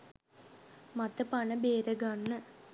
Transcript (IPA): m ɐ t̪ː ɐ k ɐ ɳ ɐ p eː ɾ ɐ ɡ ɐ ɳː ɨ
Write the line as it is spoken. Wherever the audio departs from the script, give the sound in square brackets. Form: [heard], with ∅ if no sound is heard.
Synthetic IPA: m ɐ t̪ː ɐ [p] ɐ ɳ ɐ [b] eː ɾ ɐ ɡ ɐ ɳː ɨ